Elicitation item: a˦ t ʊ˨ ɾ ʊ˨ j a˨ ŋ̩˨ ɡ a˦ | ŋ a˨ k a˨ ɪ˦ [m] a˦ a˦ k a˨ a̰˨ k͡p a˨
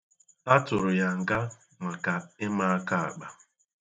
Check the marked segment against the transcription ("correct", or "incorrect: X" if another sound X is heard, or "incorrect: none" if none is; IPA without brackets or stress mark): correct